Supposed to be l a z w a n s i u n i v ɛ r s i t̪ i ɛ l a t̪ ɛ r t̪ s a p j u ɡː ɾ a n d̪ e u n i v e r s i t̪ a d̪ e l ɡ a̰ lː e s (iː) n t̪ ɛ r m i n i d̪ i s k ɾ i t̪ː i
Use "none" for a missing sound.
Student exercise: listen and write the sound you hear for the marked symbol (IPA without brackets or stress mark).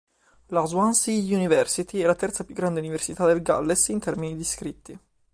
i